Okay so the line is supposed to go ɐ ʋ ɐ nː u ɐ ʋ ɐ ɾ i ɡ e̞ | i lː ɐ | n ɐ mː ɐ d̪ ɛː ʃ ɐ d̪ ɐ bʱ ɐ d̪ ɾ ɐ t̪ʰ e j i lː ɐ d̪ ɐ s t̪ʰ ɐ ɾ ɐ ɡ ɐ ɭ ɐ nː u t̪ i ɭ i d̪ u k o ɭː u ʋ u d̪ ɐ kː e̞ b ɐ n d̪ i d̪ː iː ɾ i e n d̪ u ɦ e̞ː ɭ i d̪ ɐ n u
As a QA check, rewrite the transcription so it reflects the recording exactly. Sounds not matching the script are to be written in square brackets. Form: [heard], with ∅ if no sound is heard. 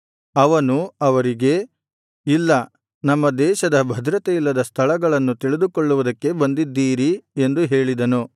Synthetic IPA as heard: ɐ ʋ ɐ [n] u ɐ ʋ ɐ ɾ i ɡ e̞ | i lː ɐ | n ɐ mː ɐ d̪ ɛː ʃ ɐ d̪ ɐ bʱ ɐ d̪ ɾ ɐ [t̪] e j i lː ɐ d̪ ɐ s t̪ʰ ɐ [ɭ] ɐ ɡ ɐ ɭ ɐ nː u t̪ i ɭ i d̪ u k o ɭː u ʋ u d̪ ɐ kː e̞ b ɐ n d̪ i d̪ː iː ɾ i e n d̪ u ɦ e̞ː ɭ i d̪ ɐ n u

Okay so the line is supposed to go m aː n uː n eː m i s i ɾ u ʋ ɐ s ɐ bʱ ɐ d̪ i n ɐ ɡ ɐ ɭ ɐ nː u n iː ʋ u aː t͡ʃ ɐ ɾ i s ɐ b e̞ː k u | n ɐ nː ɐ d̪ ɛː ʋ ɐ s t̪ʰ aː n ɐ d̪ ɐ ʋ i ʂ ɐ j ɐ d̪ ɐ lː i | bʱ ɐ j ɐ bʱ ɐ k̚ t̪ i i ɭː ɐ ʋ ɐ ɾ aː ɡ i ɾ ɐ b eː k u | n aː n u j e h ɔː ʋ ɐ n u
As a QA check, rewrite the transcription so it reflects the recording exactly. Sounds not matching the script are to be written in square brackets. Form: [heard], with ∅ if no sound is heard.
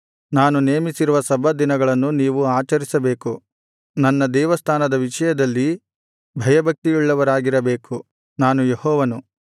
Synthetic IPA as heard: [n] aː n [u] n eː m i s i ɾ u ʋ ɐ s ɐ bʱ ɐ d̪ i n ɐ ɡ ɐ ɭ ɐ nː u n iː ʋ u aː t͡ʃ ɐ ɾ i s ɐ b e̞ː k u | n ɐ nː ɐ d̪ ɛː ʋ ɐ s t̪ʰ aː n ɐ d̪ ɐ ʋ i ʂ ɐ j ɐ d̪ ɐ lː i | bʱ ɐ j ɐ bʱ ɐ k̚ t̪ i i ɭː ɐ ʋ ɐ ɾ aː ɡ i ɾ ɐ b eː k u | n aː n u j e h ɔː ʋ ɐ n u

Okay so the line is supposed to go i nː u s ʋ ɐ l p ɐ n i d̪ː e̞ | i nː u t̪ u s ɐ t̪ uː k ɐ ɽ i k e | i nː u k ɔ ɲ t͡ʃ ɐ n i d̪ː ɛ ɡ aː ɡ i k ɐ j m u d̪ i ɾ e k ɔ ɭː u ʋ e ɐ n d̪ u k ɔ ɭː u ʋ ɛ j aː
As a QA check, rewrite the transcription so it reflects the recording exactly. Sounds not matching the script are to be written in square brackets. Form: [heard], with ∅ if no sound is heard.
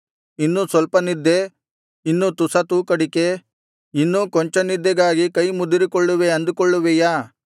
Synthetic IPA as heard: i nː u s ʋ ɐ l p ɐ n i d̪ː e̞ | i nː u t̪ u s ɐ t̪ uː k ɐ ɽ i k e | i nː u k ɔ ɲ t͡ʃ ɐ n i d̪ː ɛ ɡ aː ɡ i k ɐ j m u d̪ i ɾ [i] k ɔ ɭː u ʋ e ɐ n d̪ u k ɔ ɭː u ʋ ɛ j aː

